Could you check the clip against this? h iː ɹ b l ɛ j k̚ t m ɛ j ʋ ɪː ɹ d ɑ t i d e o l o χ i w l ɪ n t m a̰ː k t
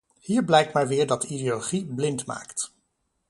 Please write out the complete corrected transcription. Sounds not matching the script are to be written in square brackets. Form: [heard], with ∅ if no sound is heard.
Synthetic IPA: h iː ɹ b l ɛ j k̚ t m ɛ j ʋ ɪː ɹ d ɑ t i d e o l o χ i [b] l ɪ n t m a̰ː k t